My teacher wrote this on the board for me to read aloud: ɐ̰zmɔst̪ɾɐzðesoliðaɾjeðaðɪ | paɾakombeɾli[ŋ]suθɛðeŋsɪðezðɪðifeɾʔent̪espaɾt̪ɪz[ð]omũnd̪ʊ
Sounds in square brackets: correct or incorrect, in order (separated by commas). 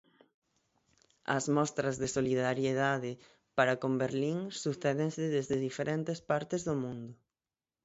correct, correct